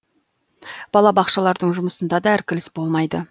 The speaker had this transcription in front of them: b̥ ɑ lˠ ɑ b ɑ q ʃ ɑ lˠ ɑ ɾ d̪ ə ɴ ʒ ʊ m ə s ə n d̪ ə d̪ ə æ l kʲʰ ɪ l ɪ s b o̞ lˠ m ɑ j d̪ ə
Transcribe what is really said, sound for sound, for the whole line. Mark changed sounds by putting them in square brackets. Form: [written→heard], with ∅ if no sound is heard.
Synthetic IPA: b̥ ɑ lˠ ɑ b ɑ q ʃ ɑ lˠ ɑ ɾ d̪ ə ɴ ʒ ʊ m ə s ə n d̪ [ə→ɑ] d̪ [ə→ɑ] æ [l→ɾ] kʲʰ ɪ l ɪ s b o̞ lˠ m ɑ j d̪ ə